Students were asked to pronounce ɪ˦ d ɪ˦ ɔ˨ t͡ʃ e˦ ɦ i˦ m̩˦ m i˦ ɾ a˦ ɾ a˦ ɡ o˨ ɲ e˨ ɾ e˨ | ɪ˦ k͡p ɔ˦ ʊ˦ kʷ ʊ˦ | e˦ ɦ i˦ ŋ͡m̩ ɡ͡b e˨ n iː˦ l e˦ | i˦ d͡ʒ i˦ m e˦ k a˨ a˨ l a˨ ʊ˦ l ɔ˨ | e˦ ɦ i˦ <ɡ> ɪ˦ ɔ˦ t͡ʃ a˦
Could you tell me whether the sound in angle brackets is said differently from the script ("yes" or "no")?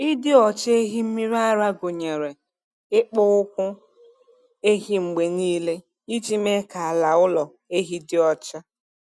yes